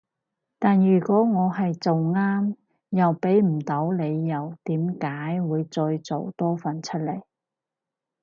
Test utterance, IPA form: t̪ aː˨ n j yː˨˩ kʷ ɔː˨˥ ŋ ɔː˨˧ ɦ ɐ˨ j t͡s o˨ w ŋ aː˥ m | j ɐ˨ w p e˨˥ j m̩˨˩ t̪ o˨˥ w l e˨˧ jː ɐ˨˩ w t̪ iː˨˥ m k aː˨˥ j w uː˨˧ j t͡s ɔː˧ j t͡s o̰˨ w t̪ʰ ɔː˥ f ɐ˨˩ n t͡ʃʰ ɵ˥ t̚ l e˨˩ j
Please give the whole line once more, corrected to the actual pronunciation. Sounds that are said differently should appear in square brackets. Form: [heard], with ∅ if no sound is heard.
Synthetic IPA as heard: t̪ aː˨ n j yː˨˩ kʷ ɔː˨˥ ŋ ɔː˨˧ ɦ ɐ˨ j t͡s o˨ w ŋ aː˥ m | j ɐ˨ w p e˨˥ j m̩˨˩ t̪ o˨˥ w l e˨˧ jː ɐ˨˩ w t̪ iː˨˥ m k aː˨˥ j w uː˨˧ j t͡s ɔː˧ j t͡s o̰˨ w [t̪] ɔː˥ f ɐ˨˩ n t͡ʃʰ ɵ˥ t̚ l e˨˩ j